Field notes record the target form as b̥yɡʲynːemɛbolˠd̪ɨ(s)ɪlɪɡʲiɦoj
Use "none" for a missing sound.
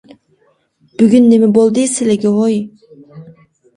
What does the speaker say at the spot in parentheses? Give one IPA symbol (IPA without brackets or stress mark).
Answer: s